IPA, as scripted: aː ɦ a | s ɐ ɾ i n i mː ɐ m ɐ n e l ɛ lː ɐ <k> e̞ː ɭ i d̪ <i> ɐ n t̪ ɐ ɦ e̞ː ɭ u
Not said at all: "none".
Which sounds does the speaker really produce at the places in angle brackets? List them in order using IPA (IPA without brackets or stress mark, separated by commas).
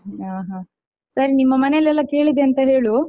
k, e